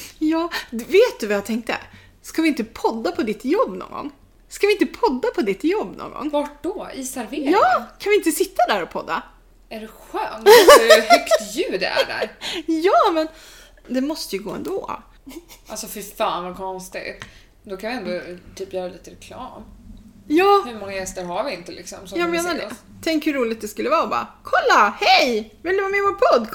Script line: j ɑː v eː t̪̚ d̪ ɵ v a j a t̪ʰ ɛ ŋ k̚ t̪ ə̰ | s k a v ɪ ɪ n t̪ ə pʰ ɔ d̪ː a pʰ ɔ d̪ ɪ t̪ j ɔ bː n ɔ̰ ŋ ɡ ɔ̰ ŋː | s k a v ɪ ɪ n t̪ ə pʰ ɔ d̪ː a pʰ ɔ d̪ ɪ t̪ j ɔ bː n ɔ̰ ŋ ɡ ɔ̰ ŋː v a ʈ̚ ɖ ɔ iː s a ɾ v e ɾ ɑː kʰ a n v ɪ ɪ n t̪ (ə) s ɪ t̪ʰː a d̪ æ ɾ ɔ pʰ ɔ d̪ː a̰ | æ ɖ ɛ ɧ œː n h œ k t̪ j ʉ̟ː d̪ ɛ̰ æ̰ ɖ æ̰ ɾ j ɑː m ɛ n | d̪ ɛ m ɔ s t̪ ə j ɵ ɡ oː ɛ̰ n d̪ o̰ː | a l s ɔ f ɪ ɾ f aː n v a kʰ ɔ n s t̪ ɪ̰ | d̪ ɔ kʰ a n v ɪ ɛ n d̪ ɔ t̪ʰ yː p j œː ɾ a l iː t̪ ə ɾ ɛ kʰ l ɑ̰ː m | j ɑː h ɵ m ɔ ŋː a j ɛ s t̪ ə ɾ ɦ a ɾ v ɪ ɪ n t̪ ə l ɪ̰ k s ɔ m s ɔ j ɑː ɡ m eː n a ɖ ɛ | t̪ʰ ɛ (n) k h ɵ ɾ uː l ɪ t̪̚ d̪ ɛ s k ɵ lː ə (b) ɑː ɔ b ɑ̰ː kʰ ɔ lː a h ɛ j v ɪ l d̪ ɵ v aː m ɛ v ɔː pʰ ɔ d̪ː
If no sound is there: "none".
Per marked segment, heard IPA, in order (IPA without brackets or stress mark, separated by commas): ə, ŋ, v